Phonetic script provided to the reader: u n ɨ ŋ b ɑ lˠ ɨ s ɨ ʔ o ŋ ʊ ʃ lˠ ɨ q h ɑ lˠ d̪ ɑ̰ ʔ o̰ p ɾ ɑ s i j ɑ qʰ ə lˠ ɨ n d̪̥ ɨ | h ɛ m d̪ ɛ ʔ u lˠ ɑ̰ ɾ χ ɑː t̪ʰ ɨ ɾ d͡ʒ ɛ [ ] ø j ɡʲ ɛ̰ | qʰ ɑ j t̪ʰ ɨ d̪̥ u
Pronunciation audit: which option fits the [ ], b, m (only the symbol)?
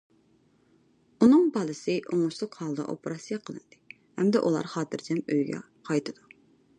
m